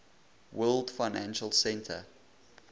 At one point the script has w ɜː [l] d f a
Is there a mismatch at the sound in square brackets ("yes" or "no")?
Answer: no